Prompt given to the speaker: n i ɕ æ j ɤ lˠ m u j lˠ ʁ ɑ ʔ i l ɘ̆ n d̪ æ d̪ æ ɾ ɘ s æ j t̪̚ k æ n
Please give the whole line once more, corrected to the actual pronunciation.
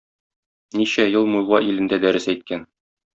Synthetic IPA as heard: n i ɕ æ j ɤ lˠ m u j lˠ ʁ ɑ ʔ i l ɘ̆ n d̪ æ d̪ æ ɾ ɘ s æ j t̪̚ k æ n